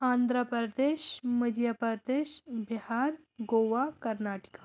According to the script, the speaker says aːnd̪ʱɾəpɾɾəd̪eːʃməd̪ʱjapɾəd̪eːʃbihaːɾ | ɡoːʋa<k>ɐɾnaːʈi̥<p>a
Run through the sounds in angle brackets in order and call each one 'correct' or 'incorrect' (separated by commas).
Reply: correct, incorrect